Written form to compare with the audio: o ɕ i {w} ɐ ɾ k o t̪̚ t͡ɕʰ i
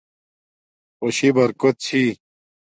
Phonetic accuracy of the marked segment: incorrect: b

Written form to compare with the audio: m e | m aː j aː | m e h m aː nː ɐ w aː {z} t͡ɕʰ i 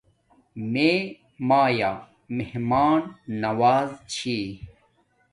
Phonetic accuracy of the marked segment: correct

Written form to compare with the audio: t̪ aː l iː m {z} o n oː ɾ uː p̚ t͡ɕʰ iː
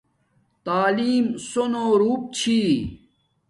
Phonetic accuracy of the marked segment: incorrect: s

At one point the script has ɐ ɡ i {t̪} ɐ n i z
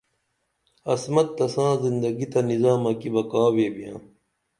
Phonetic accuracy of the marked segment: correct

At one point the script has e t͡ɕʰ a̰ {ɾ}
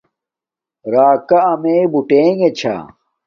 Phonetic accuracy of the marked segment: incorrect: none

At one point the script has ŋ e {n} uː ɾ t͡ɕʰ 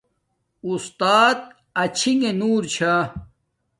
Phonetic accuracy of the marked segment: correct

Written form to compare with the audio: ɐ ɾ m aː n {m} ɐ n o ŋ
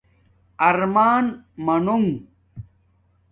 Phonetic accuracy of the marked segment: correct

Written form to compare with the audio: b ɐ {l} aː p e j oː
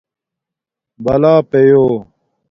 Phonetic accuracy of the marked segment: correct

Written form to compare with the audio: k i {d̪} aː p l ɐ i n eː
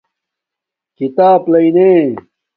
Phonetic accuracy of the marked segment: incorrect: t̪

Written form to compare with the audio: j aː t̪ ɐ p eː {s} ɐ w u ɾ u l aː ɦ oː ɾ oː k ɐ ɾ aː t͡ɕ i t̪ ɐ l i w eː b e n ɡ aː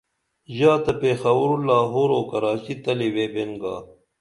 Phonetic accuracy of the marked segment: incorrect: x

